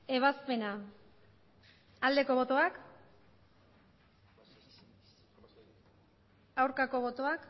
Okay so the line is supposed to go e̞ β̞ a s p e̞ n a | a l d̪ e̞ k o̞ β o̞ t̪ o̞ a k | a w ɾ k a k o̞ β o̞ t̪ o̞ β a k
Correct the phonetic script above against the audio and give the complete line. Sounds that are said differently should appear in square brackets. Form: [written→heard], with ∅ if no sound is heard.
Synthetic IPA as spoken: e̞ β̞ a s p e̞ n a | a l d̪ e̞ k o̞ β o̞ t̪ o̞ a k | a w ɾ k a k o̞ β o̞ t̪ o̞ [β→∅] a k

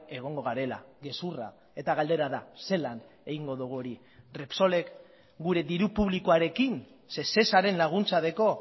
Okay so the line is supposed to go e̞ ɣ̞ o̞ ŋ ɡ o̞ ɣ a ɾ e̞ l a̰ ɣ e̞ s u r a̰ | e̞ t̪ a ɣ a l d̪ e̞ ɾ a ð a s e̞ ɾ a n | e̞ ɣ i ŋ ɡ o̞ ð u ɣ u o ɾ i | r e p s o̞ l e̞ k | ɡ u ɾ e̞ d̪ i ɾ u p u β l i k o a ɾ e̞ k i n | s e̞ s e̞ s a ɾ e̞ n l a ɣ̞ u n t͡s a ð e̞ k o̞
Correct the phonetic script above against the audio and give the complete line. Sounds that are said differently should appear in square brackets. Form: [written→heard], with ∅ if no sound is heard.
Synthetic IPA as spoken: e̞ ɣ̞ o̞ ŋ ɡ o̞ ɣ a ɾ e̞ l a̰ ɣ e̞ s u r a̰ | e̞ t̪ a ɣ a l d̪ e̞ ɾ a ð a s e̞ [ɾ→l] a n | e̞ ɣ i ŋ ɡ o̞ ð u ɣ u o ɾ i | r e p s o̞ l e̞ k | ɡ u ɾ e̞ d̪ i ɾ u p u β l i k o a ɾ e̞ k i n | s e̞ s e̞ s a ɾ e̞ n l a ɣ̞ u n t͡s a ð e̞ k o̞

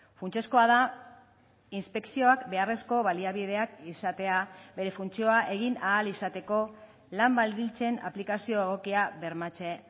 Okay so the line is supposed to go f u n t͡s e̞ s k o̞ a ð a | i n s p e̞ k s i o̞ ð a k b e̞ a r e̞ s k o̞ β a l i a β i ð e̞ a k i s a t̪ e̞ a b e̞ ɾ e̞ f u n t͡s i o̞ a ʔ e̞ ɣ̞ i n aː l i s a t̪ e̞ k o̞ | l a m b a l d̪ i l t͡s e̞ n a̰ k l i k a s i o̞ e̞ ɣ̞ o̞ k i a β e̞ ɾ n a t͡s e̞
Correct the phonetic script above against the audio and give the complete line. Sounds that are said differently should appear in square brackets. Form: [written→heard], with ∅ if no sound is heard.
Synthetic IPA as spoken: f u n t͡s e̞ s k o̞ a ð a | i n s p e̞ k s i o̞ [ð→∅] a k b e̞ a r e̞ s k o̞ β a l i a β i ð e̞ a k i s a t̪ e̞ a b e̞ ɾ e̞ f u n t͡s i o̞ a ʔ e̞ ɣ̞ i n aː l i s a t̪ e̞ k o̞ | l a m b a l d̪ i l t͡s e̞ n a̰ [k→p] l i k a s i o̞ e̞ ɣ̞ o̞ k i a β e̞ ɾ [n→m] a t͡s e̞

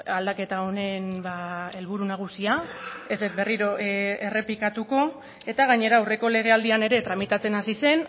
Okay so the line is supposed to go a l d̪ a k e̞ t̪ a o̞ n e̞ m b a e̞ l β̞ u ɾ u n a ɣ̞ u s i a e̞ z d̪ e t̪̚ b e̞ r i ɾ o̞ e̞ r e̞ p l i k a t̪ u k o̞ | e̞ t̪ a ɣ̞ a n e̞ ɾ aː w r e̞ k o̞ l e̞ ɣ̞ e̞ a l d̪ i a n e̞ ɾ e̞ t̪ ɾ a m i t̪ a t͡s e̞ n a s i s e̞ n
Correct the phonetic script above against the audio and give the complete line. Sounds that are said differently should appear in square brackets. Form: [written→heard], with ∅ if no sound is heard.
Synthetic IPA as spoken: a l d̪ a k e̞ t̪ a o̞ n e̞ [m→n] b a e̞ l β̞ u ɾ u n a ɣ̞ u s i a e̞ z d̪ e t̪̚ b e̞ r i ɾ o̞ e̞ r e̞ p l i k a t̪ u k o̞ | e̞ t̪ a ɣ̞ a [n→ɲ] e̞ ɾ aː w r e̞ k o̞ l e̞ ɣ̞ e̞ a l d̪ i a n e̞ ɾ e̞ t̪ ɾ a m i t̪ a t͡s e̞ n a s i s e̞ n

